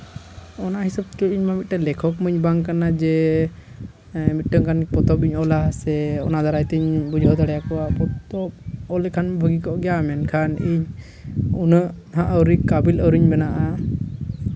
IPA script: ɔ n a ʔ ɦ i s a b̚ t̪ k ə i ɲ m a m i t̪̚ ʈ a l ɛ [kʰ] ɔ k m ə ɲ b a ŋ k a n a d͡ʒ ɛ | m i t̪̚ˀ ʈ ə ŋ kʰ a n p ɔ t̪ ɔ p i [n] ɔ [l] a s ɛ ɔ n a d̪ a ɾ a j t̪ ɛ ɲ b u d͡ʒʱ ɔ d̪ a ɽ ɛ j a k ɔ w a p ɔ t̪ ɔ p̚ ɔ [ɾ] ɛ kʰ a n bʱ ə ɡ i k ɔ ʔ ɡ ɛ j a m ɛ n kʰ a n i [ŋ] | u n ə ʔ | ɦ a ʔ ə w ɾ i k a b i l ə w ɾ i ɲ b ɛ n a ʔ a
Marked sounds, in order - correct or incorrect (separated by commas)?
correct, incorrect, correct, incorrect, incorrect